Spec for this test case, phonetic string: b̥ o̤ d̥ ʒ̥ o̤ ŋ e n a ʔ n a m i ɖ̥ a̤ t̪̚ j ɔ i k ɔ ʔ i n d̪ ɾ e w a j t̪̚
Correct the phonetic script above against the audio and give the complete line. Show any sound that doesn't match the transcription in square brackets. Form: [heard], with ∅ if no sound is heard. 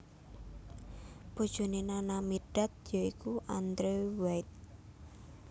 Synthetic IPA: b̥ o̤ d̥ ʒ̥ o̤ [n] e n a [∅] n a m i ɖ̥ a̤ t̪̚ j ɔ i k [u] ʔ [a] n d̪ ɾ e w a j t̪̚